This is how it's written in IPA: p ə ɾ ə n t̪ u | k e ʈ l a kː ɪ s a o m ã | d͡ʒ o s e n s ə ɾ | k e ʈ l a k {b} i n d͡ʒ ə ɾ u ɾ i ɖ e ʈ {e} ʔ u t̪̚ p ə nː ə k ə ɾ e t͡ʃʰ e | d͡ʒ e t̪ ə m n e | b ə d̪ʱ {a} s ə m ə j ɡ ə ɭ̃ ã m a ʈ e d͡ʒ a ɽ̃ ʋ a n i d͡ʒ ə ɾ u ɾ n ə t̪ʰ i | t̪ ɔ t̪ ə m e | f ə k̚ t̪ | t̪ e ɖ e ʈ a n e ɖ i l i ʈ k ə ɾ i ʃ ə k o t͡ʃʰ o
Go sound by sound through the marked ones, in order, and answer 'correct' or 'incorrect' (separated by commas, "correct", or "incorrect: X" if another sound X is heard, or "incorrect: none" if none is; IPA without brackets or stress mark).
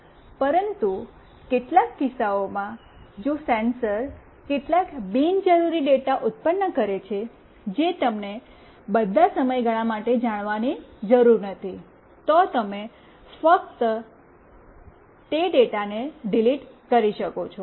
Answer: correct, incorrect: a, correct